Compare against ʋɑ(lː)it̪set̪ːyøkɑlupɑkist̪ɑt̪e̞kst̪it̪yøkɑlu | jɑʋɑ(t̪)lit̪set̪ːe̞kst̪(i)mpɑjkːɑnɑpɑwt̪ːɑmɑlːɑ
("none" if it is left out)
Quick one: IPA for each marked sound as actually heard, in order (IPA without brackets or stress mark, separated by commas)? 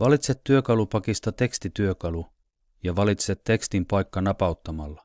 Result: l, none, i